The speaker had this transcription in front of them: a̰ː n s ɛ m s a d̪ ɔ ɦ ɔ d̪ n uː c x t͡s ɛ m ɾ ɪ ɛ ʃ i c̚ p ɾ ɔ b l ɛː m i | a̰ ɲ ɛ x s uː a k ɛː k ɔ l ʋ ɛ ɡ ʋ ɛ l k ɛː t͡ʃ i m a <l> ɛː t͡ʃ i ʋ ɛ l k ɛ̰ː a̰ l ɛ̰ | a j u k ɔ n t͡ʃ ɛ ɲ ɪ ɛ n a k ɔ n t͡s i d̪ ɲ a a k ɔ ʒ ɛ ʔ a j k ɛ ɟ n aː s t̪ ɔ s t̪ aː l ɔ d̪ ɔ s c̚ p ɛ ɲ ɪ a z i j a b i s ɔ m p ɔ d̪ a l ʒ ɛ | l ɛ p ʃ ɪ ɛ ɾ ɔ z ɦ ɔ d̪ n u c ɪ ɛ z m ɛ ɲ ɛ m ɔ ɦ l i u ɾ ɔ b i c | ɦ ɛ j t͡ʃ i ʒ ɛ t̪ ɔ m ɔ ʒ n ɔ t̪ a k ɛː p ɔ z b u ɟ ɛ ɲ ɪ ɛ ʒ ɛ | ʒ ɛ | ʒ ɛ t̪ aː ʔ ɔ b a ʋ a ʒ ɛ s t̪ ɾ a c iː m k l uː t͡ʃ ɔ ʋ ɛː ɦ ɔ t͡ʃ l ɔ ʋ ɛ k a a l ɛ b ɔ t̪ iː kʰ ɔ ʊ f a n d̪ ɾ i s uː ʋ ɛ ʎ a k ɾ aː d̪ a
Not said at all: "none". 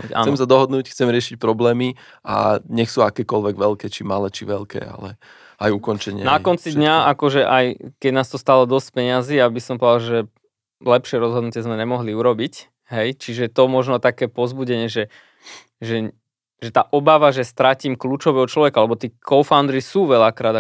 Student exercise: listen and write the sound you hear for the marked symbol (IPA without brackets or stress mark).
l